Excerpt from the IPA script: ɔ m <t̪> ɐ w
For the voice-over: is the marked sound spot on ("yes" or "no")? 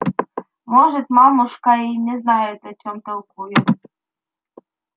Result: yes